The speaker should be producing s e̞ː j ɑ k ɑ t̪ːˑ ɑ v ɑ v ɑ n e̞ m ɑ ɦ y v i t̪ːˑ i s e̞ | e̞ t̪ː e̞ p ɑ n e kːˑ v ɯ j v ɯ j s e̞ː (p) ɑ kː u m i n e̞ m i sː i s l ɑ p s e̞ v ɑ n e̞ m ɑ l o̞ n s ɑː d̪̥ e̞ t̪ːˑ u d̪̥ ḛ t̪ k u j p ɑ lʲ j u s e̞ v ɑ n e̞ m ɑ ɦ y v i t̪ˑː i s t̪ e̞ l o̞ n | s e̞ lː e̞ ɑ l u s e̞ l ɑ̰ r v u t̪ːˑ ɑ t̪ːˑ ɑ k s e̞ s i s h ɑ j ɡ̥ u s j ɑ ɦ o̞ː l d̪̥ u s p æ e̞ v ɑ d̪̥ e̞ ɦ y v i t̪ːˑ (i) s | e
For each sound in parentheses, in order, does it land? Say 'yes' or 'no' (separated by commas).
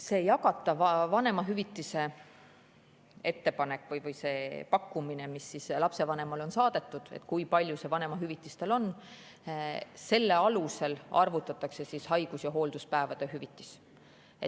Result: yes, yes